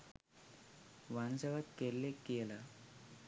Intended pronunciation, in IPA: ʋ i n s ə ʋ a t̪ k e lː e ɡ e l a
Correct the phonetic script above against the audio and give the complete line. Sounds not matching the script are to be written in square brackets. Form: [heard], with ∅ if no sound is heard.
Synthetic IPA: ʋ [a] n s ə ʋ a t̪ k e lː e [k] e l a